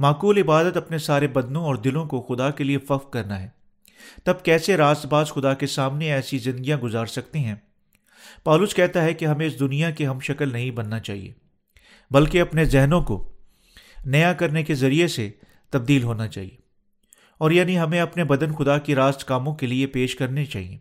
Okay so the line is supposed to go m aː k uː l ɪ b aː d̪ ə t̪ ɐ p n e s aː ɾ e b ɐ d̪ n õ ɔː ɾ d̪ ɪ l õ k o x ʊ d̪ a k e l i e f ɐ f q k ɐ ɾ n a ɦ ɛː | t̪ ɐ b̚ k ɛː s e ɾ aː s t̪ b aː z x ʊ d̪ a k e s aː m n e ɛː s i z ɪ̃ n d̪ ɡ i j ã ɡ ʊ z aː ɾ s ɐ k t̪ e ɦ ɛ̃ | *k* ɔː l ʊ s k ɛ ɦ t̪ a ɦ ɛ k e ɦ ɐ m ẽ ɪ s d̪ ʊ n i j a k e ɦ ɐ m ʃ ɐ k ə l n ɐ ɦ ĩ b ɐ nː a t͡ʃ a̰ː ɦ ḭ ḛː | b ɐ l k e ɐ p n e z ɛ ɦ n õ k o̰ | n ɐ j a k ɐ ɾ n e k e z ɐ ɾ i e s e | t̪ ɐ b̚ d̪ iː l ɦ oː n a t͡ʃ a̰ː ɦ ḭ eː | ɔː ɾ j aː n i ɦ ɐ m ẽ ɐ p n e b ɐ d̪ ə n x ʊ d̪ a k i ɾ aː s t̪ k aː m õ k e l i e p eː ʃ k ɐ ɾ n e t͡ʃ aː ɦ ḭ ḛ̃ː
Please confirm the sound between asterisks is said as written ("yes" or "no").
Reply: no